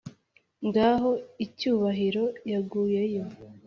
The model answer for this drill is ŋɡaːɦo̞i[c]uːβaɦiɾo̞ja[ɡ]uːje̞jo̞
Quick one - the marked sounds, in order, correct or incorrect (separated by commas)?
correct, correct